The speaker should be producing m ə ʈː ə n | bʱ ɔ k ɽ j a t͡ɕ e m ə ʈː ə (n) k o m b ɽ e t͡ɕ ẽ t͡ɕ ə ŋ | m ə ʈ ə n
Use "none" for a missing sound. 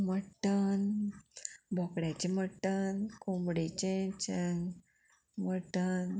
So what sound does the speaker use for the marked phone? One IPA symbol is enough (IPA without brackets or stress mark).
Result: n